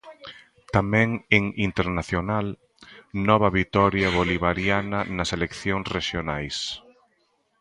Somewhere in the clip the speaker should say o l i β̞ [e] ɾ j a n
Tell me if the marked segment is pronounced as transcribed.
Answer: no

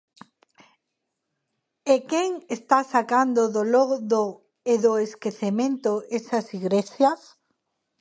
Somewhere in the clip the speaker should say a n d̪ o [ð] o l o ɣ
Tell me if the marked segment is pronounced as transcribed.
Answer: yes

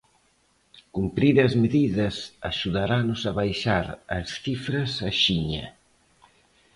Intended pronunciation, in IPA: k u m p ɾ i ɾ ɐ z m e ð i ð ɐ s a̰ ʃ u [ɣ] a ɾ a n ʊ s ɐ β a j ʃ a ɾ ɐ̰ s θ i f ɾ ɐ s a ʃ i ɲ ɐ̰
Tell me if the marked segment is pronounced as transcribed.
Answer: no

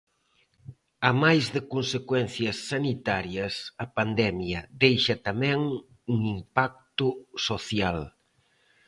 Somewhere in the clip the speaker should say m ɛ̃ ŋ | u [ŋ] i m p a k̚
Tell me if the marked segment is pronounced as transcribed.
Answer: yes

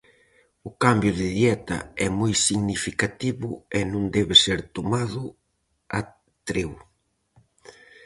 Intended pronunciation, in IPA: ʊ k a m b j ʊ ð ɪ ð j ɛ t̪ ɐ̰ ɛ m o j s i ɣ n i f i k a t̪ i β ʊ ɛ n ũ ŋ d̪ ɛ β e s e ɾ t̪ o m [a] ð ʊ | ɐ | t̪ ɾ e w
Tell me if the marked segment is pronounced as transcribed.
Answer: yes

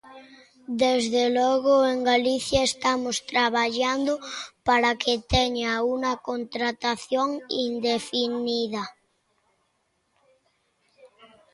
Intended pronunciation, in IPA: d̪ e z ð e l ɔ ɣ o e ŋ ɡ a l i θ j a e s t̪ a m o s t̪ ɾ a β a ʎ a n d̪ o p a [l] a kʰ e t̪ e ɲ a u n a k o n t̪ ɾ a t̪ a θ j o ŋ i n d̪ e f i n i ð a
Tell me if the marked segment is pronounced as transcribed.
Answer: no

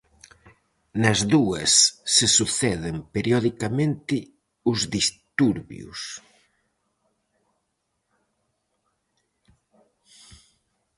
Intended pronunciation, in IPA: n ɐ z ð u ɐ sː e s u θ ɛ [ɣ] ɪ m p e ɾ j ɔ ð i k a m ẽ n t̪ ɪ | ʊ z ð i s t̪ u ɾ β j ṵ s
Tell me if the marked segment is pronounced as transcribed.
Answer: no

